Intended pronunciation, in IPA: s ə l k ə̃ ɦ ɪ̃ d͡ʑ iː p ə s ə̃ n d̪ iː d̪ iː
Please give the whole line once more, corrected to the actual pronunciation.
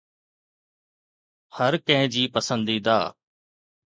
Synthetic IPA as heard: h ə ɾ k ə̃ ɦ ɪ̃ d͡ʑ iː p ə s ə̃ n d̪ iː d̪ aː